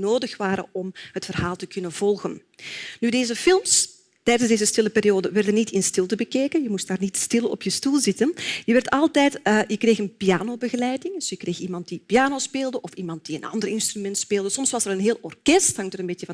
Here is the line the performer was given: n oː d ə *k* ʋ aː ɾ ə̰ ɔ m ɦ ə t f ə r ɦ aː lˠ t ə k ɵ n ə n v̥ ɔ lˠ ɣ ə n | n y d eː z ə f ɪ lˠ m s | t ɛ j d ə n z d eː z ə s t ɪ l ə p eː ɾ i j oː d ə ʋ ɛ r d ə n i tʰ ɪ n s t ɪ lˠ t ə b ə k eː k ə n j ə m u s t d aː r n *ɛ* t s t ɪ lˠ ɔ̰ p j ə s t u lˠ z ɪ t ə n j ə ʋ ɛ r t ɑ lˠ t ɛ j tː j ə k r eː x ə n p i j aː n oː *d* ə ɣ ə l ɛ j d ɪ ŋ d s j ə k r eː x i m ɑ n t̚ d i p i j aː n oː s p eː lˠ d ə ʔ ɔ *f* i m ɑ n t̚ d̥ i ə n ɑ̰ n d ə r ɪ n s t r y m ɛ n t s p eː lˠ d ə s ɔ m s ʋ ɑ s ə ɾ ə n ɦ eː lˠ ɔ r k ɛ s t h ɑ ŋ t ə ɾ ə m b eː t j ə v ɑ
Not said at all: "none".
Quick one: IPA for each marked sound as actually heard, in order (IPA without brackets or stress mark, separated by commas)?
x, i, b, f